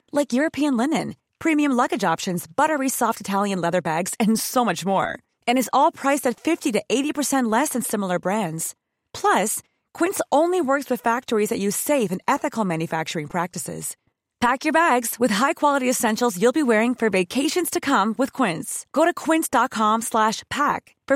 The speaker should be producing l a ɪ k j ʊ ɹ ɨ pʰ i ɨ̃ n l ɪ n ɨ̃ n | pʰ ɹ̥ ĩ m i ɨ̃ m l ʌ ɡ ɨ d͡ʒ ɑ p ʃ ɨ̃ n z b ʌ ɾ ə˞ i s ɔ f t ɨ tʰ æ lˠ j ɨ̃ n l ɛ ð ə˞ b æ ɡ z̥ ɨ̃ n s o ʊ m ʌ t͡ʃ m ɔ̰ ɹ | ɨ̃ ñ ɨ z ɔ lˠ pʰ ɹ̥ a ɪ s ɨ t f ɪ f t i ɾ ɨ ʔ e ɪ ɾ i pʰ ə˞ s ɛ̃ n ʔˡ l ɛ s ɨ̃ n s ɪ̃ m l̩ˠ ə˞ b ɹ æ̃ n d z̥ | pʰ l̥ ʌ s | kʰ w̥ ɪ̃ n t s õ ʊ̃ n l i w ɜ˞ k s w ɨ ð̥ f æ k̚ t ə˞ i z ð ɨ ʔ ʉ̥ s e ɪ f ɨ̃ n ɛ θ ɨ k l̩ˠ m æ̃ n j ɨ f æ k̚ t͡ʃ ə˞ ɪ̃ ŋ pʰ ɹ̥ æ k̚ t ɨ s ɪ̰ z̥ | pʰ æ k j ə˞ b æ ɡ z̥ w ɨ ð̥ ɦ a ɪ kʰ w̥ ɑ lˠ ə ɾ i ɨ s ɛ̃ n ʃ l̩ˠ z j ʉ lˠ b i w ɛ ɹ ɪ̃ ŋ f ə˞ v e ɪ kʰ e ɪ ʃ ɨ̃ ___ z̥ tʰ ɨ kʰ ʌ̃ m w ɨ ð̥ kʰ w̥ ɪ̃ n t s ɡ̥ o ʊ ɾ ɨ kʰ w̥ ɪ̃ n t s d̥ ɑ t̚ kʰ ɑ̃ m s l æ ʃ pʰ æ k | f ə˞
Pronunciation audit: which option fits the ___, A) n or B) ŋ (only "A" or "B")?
A